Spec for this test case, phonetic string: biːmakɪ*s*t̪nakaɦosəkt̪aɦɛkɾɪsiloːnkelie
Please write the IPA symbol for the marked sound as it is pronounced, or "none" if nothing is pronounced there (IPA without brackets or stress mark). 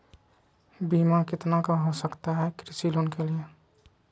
none